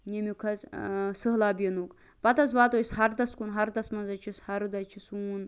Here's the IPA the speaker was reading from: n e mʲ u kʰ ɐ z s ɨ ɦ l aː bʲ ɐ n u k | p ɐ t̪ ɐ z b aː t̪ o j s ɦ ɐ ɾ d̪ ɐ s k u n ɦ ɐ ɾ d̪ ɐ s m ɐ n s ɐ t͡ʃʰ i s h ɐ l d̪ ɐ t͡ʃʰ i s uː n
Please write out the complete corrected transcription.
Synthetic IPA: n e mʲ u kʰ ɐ z s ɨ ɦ l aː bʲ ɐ n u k | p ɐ t̪ ɐ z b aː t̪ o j s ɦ ɐ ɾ d̪ ɐ s k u n ɦ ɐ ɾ d̪ ɐ s m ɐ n z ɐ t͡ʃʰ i s h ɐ ɾ d̪ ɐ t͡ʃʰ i s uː n

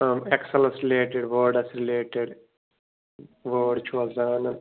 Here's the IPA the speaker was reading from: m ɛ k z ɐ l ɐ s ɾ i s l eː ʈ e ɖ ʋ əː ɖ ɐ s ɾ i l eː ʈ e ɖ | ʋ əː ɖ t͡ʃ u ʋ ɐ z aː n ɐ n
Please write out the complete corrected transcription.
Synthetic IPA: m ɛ k s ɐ l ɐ s ɾ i l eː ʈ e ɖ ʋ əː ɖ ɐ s ɾ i l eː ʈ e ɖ | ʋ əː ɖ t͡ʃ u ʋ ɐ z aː n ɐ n

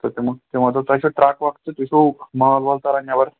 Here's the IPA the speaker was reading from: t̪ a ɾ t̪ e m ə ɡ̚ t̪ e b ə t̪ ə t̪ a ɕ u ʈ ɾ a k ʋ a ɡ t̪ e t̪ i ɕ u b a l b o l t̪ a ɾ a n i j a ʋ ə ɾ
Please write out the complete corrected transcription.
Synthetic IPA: t̪ ə ɾ t̪ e m ə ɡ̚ t̪ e m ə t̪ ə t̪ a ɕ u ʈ ɾ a k ʋ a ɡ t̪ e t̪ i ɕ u m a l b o l t̪ a ɾ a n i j a ʋ ə ɾ

